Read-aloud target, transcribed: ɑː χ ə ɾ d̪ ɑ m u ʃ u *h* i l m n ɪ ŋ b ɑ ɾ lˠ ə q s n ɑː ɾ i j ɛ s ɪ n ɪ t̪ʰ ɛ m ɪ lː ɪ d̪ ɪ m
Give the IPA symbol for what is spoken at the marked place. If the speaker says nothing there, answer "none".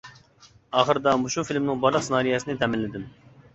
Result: f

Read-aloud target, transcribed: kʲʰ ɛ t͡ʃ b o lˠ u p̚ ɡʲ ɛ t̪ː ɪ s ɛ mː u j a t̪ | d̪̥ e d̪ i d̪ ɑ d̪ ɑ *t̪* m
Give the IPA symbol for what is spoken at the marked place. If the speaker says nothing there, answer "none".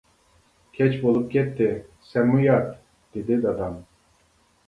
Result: none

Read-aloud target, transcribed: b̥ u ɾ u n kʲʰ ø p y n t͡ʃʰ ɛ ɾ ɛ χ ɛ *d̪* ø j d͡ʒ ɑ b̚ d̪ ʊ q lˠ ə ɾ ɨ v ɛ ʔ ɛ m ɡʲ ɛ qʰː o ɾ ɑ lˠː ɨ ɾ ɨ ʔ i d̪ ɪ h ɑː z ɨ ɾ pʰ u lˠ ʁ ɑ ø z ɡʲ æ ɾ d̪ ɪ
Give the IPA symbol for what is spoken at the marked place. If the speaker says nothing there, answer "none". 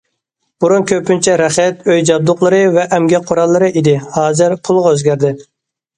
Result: t̪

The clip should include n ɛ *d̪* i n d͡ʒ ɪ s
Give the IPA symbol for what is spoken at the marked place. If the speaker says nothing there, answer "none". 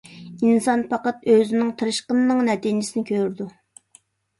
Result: t̪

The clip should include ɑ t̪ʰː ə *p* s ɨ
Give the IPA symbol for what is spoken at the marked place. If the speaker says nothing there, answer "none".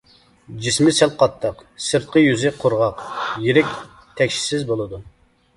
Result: q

